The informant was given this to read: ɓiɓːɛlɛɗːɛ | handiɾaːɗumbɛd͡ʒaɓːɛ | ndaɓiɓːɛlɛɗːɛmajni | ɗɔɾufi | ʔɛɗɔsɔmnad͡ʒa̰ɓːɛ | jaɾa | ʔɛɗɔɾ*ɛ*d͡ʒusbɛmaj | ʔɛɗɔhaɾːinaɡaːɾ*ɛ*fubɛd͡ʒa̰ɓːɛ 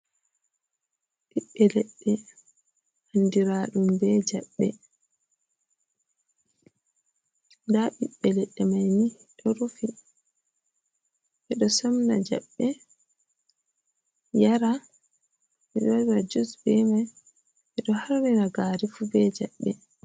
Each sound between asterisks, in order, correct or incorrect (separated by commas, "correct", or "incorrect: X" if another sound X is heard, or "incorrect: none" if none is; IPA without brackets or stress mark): incorrect: a, incorrect: i